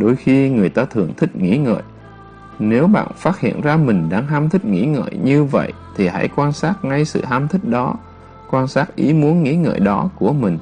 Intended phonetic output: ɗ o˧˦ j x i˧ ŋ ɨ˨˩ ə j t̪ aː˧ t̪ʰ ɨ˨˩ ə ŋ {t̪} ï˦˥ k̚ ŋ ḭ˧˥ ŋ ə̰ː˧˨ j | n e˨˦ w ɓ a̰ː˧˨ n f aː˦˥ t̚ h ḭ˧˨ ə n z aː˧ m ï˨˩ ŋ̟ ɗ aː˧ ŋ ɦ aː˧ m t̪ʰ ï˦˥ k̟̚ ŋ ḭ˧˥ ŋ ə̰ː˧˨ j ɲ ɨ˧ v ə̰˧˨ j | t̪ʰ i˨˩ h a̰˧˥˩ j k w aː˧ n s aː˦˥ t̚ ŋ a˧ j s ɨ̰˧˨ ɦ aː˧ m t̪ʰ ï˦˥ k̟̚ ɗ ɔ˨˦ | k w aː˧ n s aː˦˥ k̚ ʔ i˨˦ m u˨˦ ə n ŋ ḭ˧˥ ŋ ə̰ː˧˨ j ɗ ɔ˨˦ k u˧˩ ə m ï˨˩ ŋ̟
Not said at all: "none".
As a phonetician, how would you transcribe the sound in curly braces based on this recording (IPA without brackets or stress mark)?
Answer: t̪ʰ